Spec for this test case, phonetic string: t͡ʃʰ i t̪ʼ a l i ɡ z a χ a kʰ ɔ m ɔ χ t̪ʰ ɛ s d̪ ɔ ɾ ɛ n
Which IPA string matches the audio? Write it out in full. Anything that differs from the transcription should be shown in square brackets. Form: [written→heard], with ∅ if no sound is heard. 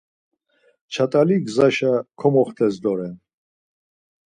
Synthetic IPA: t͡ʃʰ [i→a] t̪ʼ a l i ɡ z a [χ→ʃ] a kʰ ɔ m ɔ χ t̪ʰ ɛ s d̪ ɔ ɾ ɛ n